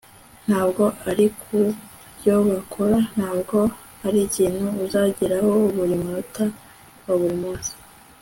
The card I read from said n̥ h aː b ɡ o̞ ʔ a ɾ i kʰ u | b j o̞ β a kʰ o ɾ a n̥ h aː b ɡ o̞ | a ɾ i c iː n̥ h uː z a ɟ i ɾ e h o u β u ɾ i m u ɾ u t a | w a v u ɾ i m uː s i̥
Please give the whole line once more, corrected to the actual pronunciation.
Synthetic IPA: n̥ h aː b ɡ o̞ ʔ a ɾ i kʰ u | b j o̞ β a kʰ o ɾ a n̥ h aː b ɡ o̞ | a ɾ i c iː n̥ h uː z a ɟ i ɾ a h o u β u ɾ i m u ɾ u t a | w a β u ɾ i m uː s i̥